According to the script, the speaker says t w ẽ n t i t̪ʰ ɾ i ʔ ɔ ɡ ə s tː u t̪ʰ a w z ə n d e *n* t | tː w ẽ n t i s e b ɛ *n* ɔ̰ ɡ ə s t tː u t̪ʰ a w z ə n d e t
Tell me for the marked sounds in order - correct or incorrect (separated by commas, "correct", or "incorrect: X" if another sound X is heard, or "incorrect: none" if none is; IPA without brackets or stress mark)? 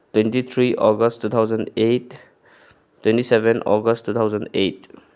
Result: incorrect: none, correct